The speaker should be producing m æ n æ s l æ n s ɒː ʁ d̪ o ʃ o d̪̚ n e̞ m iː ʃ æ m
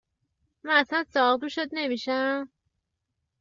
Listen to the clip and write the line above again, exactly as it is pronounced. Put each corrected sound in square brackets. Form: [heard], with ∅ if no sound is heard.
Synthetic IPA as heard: m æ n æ s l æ n s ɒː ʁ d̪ [u] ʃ o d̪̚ n e̞ m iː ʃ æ m